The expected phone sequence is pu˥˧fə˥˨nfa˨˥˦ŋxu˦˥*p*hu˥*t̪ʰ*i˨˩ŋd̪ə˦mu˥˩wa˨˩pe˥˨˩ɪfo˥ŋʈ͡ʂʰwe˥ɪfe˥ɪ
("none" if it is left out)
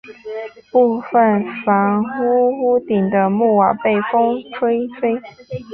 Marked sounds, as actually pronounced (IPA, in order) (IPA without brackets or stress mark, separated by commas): none, t̪